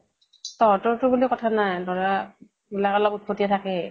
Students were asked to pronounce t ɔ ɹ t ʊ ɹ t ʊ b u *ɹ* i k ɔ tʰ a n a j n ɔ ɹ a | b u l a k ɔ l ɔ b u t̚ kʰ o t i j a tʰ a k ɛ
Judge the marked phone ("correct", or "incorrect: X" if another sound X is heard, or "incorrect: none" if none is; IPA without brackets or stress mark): incorrect: l